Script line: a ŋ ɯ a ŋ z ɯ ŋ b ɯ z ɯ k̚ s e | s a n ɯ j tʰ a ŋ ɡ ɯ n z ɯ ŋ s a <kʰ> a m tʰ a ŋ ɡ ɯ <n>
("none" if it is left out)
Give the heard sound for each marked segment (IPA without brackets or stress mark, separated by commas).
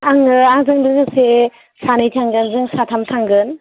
tʰ, n